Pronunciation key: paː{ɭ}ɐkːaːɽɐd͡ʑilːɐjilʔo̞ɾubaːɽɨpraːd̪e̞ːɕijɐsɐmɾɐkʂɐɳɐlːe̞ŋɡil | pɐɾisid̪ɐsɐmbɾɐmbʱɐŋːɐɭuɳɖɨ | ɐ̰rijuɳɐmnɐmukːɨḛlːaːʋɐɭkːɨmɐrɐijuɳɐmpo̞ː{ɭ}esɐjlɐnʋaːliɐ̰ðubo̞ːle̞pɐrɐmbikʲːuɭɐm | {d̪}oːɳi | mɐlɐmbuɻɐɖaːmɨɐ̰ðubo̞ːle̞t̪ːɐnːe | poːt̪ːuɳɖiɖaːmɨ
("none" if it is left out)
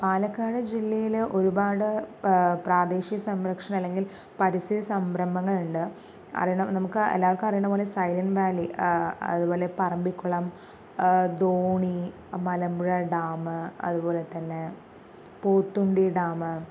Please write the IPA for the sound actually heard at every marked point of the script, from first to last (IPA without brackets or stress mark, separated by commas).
l, l, d̪